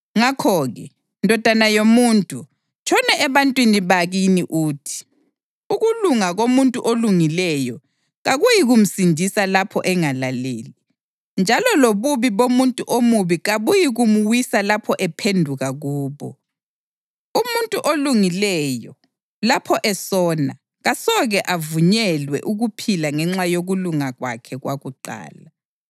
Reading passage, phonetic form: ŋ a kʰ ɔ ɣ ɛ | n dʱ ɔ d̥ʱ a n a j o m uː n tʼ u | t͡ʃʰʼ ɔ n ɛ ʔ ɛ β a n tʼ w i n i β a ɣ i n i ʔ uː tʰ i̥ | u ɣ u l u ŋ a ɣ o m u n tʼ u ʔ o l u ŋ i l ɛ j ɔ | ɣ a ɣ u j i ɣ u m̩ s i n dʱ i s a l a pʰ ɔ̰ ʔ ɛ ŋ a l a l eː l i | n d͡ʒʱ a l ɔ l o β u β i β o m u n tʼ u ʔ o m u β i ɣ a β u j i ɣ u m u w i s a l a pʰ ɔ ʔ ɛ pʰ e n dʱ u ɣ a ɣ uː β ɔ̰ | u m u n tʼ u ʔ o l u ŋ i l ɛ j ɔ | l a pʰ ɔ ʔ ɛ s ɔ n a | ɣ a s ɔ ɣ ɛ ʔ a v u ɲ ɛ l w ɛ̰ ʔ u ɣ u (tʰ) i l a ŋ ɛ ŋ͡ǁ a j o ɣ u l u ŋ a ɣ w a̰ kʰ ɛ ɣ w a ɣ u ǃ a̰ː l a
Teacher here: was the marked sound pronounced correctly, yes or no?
no